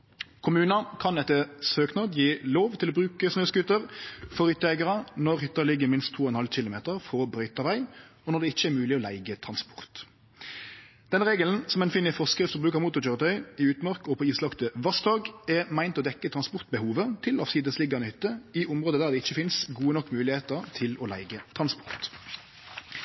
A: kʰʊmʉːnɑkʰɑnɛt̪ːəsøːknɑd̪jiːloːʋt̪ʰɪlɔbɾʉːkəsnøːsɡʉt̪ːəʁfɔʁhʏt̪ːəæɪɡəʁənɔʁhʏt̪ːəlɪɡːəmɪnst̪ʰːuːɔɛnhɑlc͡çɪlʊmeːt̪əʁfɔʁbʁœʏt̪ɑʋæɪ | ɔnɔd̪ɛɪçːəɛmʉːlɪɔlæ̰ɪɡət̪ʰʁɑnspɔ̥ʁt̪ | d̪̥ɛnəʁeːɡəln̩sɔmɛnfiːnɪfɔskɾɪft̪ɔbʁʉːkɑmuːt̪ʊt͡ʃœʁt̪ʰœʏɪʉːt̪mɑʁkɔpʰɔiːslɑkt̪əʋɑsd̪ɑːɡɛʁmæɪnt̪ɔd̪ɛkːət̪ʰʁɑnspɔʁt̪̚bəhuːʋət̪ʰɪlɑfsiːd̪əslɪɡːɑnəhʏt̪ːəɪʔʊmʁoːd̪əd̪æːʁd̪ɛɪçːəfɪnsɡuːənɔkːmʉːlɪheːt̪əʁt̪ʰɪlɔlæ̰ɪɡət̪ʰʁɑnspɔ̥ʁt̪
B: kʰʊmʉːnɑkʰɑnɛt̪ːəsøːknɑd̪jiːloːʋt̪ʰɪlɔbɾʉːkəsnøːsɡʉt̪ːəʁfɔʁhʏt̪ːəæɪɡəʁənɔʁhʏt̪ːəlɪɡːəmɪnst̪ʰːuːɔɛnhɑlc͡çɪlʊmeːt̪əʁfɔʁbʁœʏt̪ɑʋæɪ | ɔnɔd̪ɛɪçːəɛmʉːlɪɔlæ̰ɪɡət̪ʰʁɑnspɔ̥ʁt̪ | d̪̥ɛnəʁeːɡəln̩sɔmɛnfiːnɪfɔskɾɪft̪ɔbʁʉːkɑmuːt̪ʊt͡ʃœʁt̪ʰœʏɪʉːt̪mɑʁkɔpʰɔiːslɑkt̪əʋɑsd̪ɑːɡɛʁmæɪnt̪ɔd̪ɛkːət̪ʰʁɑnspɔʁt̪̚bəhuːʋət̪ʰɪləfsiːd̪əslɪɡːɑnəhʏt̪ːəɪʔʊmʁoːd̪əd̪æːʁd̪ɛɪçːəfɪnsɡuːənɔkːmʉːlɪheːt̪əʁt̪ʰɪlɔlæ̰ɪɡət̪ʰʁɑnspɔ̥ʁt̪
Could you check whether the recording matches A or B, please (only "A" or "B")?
A